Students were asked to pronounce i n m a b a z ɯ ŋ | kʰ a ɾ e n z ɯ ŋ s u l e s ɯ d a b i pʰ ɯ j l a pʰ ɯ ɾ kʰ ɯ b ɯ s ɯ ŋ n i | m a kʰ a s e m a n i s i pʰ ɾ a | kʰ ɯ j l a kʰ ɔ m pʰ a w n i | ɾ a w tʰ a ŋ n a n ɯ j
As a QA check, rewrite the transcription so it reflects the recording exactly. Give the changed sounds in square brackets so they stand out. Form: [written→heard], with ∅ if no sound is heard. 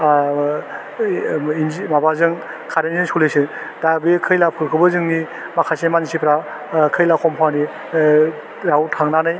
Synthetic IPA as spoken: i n m a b a z ɯ ŋ | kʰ a ɾ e n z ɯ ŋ s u l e s ɯ d a b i [pʰ→kʰ] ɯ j l a pʰ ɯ ɾ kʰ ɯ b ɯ [s→z] ɯ ŋ n i | m a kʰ a s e m a n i s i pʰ ɾ a | kʰ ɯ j l a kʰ ɔ m pʰ a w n i | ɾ a w tʰ a ŋ n a n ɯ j